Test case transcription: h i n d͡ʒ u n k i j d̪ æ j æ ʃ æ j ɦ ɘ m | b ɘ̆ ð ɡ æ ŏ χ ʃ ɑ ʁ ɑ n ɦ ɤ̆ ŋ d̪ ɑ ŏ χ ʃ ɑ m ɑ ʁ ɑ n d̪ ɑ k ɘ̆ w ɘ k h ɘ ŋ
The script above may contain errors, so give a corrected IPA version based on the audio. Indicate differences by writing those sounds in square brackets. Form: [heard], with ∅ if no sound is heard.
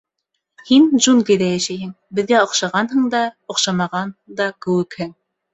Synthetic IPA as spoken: h i n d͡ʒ u n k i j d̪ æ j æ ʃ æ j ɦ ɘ [ŋ] | b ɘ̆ ð ɡ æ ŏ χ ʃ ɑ ʁ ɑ n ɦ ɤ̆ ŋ d̪ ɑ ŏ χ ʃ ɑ m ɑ ʁ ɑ n d̪ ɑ k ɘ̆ w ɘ k h ɘ ŋ